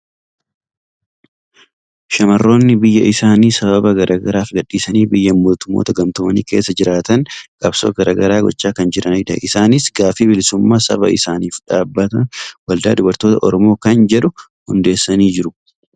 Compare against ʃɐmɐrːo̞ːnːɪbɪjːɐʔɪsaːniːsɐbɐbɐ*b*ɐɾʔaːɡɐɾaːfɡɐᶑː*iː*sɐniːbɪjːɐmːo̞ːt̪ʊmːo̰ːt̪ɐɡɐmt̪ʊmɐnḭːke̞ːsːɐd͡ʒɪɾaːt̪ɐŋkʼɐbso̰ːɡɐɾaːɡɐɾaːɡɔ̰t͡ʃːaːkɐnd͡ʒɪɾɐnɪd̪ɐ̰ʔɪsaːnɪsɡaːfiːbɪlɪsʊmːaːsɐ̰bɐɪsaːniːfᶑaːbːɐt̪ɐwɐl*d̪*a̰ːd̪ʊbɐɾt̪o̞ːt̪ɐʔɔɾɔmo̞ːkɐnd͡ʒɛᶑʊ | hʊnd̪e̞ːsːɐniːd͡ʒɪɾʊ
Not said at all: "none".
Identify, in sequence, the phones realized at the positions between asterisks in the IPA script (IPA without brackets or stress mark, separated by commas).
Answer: ɡ, iː, d̪